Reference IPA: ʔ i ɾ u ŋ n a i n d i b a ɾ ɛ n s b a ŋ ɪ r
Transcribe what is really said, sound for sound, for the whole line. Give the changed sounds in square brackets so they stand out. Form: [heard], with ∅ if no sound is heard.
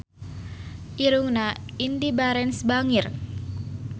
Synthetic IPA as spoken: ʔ i ɾ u ŋ n a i n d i b a ɾ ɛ n s b a ŋ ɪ r